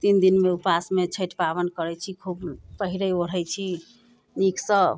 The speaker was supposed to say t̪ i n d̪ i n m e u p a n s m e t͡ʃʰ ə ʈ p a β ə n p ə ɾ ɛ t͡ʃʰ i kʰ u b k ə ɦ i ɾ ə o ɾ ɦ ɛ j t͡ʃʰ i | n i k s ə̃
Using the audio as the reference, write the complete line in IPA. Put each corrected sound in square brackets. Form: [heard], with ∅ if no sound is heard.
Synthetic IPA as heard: t̪ i n d̪ i n m e u p a [∅] s m e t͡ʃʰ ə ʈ p a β ə n [k] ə ɾ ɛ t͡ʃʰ i kʰ u b [p] ə ɦ i ɾ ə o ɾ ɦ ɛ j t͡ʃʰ i | n i k s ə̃